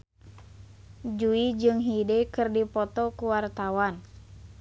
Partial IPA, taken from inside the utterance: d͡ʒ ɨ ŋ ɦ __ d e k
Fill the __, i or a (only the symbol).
i